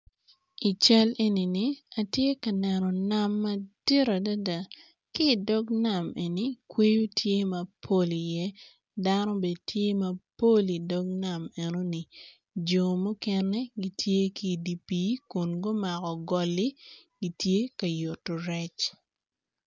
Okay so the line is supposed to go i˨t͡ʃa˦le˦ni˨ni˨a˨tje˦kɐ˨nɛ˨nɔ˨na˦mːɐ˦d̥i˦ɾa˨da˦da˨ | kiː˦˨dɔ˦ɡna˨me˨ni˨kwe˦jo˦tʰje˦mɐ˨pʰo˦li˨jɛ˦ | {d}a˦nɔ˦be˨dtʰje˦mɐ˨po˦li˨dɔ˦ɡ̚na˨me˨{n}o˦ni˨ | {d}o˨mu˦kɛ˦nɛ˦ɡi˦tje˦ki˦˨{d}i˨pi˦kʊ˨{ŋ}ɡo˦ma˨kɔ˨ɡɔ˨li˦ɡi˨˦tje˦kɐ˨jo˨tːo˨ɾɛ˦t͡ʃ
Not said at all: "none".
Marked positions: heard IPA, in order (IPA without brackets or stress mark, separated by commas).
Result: d, n, d͡ʒ, d, n